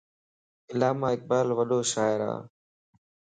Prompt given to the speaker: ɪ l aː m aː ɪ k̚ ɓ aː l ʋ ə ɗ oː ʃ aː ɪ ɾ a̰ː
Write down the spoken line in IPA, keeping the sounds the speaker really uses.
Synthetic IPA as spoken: ɪ l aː m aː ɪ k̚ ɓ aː l ʋ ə ɗ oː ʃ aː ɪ ɾ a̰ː